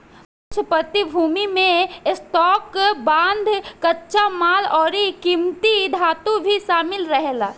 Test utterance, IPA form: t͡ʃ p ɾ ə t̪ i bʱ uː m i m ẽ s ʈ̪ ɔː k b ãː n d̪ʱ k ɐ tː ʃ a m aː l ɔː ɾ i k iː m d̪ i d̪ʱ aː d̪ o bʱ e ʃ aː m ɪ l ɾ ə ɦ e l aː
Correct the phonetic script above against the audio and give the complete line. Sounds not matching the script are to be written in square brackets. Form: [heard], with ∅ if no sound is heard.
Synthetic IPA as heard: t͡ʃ p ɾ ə t̪ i bʱ uː m i m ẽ s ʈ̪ ɔː k b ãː n d̪ʱ k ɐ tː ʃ a m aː l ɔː ɾ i k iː m [t̪] i d̪ʱ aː [t̪] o bʱ [i] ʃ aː m ɪ l ɾ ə ɦ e l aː